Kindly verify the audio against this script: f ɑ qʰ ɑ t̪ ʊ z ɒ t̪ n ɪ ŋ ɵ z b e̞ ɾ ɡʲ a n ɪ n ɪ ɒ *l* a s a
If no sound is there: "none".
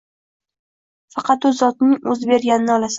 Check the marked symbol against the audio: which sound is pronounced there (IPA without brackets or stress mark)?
l